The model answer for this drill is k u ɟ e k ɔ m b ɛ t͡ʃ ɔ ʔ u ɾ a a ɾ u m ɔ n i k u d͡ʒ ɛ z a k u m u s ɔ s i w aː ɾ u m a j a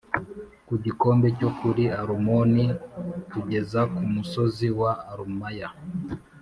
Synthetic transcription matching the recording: k u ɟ i k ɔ m b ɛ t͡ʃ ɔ k u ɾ i a ɾ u m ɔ n i k u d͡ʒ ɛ z a k u m u s ɔ z i w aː ɾ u m a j a